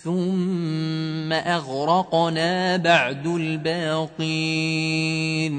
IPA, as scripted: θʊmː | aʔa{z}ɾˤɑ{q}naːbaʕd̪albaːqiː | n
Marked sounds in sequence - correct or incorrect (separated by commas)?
incorrect, correct